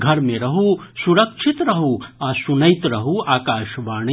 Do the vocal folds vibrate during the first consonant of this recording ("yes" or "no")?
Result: yes